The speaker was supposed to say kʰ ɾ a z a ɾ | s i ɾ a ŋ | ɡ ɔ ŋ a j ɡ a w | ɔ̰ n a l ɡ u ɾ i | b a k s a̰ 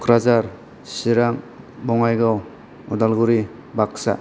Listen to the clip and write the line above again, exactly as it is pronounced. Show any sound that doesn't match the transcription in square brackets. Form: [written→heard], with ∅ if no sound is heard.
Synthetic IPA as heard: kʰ ɾ a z a ɾ | s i ɾ a ŋ | [ɡ→b] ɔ ŋ a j ɡ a w | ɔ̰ [n→d] a l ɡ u ɾ i | b a k s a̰